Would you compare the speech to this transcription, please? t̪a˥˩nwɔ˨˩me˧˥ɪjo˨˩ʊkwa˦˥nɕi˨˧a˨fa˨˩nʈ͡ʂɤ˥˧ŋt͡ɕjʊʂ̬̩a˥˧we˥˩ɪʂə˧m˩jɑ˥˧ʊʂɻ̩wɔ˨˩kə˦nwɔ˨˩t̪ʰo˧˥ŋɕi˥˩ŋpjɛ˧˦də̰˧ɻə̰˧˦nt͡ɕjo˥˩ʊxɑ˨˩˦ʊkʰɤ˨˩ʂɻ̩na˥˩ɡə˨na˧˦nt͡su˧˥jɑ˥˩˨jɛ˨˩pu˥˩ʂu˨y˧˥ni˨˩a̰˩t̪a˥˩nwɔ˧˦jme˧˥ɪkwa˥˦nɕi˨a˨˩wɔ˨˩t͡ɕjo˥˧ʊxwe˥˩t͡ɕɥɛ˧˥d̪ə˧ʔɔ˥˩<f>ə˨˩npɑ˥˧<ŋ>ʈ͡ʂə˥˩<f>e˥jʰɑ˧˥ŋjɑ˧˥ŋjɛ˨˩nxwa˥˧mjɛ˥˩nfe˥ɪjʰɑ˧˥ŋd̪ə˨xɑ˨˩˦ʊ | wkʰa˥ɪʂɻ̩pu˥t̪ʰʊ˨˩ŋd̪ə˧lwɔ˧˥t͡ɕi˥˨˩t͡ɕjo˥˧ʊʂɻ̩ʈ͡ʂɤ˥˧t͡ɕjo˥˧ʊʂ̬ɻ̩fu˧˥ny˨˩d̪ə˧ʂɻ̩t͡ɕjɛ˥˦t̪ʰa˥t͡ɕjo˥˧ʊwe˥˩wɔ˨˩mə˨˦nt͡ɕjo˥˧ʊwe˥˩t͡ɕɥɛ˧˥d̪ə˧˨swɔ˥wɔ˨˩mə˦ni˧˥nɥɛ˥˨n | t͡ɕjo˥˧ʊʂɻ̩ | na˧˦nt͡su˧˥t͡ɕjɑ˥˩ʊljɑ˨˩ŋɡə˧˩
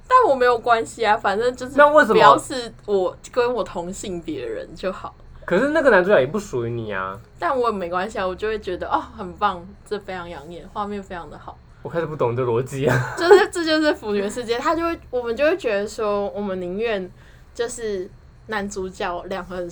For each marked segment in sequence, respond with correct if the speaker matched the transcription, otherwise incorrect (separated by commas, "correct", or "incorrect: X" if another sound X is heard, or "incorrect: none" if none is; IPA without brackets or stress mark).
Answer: incorrect: x, correct, correct